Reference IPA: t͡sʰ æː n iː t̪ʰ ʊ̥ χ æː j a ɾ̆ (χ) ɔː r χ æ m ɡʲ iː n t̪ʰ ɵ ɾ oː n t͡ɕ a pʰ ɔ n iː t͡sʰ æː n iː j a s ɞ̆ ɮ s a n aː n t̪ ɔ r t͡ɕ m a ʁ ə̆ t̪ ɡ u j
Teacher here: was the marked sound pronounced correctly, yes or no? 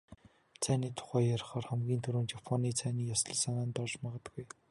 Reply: yes